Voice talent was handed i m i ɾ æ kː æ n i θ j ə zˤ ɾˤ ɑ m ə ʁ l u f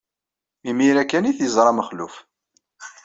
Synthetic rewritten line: i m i ɾ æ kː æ n i θ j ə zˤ ɾˤ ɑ m ə χ l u f